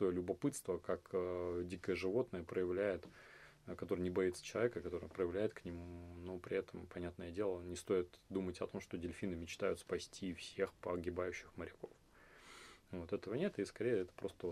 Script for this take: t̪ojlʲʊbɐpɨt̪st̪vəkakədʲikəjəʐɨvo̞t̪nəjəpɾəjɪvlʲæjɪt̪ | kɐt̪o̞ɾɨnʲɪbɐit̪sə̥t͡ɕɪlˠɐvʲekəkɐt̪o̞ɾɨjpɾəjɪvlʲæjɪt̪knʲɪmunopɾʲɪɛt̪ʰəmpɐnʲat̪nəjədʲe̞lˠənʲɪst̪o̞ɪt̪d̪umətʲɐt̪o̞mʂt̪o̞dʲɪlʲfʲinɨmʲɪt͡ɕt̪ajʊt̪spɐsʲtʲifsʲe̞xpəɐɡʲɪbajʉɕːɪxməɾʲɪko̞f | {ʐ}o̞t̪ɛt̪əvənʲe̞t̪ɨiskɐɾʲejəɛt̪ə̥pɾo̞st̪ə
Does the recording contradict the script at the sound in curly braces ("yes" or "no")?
yes